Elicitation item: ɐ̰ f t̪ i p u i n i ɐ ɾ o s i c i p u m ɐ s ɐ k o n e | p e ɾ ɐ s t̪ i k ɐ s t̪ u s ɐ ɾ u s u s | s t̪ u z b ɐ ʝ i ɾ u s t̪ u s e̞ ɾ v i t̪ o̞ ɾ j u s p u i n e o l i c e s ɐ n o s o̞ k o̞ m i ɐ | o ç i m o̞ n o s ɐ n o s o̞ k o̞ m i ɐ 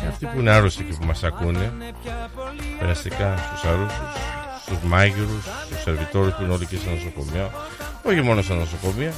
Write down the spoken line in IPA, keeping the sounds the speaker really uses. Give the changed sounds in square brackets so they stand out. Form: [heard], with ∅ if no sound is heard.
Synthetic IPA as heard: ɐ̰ f t̪ i p u i n [e] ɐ ɾ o s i c i p u m ɐ s ɐ k [u] n e | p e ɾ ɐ s t̪ i k ɐ s t̪ u s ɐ ɾ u s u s | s t̪ u z [m] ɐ ʝ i ɾ u s t̪ u s e̞ ɾ v i t̪ o̞ ɾ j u s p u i n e o l i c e s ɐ n o s o̞ k o̞ m i ɐ | o ç i m o̞ n o s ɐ n o s o̞ k o̞ m i ɐ